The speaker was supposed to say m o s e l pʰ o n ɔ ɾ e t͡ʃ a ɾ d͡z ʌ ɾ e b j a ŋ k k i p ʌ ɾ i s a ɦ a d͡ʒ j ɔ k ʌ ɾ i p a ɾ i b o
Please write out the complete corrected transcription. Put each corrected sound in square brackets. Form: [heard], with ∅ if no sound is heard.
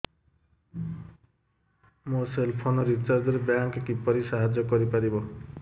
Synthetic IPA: m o s e l pʰ o n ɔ ɾ [i] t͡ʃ a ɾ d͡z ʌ ɾ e b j a ŋ k k i p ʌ ɾ i s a ɦ a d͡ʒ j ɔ k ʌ ɾ i p a ɾ i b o